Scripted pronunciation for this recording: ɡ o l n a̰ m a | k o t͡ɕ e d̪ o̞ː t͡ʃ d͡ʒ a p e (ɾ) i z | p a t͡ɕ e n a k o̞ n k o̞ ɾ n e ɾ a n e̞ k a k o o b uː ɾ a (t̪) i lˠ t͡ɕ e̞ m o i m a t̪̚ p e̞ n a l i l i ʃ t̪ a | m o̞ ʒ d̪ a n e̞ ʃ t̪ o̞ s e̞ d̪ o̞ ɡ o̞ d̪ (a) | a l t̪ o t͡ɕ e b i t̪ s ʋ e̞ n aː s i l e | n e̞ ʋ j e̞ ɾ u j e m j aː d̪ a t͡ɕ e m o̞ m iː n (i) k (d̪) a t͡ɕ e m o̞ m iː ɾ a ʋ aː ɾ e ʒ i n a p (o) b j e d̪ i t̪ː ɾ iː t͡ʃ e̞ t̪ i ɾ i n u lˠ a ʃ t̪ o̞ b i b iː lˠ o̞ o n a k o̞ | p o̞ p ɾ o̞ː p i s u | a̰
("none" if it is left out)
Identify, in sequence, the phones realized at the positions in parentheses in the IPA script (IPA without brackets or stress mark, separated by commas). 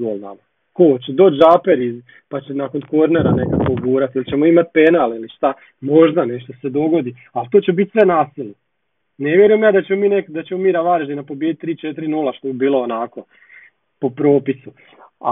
ɾ, t̪, i, e, d̪, o